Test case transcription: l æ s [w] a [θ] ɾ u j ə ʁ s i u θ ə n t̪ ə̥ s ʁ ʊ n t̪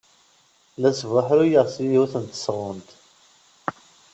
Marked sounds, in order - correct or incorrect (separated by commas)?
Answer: incorrect, incorrect